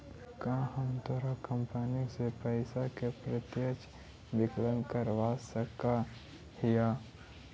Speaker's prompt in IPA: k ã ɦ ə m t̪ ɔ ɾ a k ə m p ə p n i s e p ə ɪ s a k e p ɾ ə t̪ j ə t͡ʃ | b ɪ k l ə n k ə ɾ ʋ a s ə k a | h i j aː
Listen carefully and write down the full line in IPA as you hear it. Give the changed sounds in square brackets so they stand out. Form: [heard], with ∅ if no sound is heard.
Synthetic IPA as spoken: k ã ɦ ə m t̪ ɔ ɾ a k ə m p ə [∅] n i s e p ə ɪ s a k e p ɾ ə t̪ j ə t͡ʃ | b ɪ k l ə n k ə ɾ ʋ a s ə k a | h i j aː